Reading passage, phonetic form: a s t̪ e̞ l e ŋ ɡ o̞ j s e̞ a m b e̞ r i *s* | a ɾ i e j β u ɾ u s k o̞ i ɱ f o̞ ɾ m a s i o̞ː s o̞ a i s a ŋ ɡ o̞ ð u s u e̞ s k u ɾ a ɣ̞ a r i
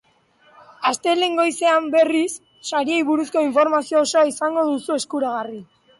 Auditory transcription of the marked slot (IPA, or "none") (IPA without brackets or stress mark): sː